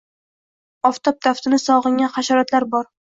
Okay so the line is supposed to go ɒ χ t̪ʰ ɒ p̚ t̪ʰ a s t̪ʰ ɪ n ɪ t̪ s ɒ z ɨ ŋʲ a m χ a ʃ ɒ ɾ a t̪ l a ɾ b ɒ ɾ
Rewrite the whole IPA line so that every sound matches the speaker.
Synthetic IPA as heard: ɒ f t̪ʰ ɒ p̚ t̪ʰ a f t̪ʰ ɪ n ɪ s ɒ ʁ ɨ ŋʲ a n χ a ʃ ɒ ɾ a t̪ l a ɾ b ɒ ɾ